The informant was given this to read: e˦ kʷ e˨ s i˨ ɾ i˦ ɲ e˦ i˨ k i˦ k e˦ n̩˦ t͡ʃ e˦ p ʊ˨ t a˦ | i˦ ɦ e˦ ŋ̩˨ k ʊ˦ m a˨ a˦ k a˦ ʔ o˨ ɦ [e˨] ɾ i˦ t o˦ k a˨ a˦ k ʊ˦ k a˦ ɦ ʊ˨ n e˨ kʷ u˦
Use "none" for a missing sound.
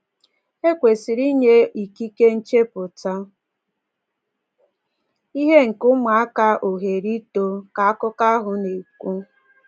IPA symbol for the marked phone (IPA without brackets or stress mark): e˨